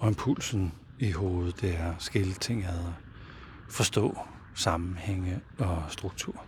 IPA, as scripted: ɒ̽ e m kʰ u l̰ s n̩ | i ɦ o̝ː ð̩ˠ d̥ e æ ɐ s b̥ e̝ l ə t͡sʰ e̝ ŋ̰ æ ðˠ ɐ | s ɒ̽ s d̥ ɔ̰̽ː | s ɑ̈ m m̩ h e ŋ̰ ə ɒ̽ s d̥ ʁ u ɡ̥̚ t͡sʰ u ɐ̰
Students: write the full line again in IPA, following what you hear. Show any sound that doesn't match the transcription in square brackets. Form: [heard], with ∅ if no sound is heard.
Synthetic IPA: ɒ̽ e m [pʰ] u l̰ s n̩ | i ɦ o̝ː ð̩ˠ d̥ e æ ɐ s [ɡ̥] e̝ l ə t͡sʰ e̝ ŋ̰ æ ðˠ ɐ | [f] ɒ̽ s d̥ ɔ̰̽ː | s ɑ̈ m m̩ h e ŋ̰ ə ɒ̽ s d̥ ʁ u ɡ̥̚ t͡sʰ u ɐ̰